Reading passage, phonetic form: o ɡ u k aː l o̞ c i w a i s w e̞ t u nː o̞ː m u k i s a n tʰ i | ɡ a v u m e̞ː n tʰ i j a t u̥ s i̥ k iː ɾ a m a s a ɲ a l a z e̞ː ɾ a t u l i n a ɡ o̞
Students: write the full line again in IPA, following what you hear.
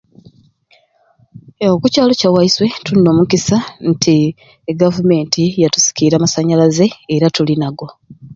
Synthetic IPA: o k u c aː l o̞ c a w a i s w e̞ t u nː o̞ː m u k i s a n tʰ i | ɡ a v u m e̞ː n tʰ i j a t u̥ s i̥ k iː ɾ a m a s a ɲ a l a z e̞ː ɾ a t u l i n a ɡ o̞